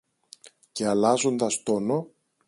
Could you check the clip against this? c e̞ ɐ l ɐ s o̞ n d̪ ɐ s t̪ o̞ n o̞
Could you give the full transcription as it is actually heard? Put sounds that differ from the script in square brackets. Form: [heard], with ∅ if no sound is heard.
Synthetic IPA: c e̞ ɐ l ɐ [z] o̞ n d̪ ɐ s t̪ o̞ n o̞